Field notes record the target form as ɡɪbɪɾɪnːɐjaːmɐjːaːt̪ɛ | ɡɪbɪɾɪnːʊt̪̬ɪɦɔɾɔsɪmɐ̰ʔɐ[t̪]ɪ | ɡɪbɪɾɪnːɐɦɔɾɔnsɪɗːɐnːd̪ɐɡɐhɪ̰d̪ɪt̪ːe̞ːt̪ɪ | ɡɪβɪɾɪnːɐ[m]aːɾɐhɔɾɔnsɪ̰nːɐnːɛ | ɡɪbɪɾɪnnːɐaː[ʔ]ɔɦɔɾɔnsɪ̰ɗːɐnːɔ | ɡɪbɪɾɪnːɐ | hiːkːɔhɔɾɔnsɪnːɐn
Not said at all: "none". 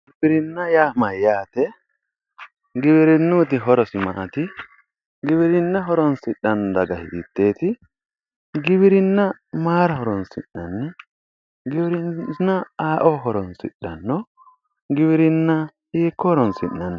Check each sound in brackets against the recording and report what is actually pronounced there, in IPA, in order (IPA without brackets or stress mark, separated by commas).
t̪, m, ʔ